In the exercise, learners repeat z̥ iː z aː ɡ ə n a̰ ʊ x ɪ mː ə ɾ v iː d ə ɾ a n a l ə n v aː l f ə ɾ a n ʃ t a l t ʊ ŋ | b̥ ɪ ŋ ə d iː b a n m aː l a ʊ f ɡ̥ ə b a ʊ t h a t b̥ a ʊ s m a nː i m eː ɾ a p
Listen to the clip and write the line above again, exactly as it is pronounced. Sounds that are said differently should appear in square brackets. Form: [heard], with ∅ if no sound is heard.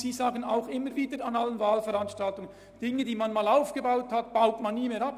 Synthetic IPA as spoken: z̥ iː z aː ɡ ə n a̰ ʊ x ɪ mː ə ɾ v iː d ə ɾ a n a l ə n v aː l f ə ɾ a n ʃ t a l t ʊ ŋ | [d̥] ɪ ŋ ə d iː [m] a n m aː l a ʊ f ɡ̥ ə b a ʊ t h a t b̥ a ʊ [t] m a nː [iː] m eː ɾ a p